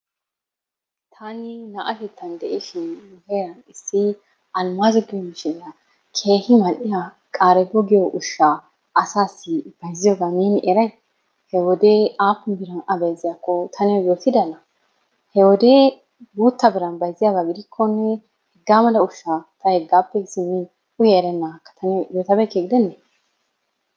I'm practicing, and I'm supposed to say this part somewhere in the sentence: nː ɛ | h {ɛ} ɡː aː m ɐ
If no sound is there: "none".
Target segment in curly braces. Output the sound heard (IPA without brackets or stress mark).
ɛ